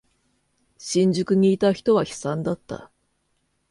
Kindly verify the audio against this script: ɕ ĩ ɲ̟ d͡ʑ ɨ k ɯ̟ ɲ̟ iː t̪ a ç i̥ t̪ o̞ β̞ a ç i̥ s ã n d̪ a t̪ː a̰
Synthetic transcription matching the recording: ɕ ĩ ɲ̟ d͡ʑ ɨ k ɯ̟ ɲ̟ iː t̪ a ç i̥ t̪ o̞ β̞ a ç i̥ s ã n d̪ a t̪ː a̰